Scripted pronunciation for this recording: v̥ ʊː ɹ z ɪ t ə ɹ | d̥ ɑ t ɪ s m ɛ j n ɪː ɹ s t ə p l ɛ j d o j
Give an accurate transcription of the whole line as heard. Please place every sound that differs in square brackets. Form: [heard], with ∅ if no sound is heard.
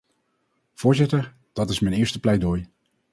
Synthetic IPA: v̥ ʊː ɹ z ɪ t ə ɹ | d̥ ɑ t ɪ s m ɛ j n ɪː ɹ s t ə p l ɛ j d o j